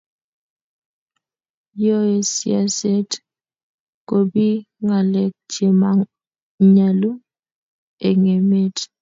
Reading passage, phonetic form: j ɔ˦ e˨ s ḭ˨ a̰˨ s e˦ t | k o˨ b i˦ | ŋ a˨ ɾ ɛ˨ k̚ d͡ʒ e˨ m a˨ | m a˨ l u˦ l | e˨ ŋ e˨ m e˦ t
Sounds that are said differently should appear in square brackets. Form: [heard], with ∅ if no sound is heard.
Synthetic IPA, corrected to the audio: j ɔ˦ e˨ s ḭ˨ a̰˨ s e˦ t | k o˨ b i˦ | ŋ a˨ [l] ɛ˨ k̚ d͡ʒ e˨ m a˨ | [ɲ] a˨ l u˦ [∅] | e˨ ŋ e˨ m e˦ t

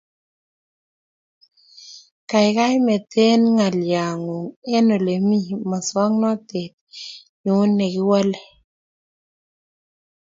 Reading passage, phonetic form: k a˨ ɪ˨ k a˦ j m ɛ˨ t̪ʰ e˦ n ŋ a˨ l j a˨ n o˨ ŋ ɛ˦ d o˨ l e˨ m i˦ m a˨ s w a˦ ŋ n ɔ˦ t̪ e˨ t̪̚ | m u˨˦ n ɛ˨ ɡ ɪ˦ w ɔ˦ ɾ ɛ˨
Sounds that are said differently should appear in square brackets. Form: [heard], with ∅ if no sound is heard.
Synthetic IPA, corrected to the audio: k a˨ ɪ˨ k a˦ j m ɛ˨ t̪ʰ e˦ n ŋ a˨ l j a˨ [ŋ] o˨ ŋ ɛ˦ [n] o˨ l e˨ m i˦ m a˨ s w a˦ ŋ n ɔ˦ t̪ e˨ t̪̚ | [ɲ] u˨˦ n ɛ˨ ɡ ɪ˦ w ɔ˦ [l] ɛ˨

